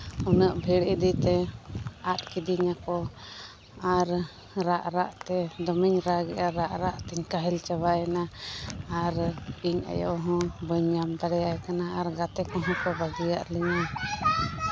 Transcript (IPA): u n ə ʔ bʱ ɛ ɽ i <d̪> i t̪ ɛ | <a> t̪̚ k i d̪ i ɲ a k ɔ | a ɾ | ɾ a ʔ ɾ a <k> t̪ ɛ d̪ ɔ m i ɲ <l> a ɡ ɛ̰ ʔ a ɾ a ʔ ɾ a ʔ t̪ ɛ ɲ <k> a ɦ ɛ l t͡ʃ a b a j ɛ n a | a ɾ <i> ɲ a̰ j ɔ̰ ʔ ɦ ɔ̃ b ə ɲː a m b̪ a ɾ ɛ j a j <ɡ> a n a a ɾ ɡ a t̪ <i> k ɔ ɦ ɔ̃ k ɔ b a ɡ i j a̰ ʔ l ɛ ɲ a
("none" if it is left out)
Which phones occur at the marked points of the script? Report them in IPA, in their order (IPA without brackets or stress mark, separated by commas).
d̪, a, ʔ, ɾ, k, i, k, ɛ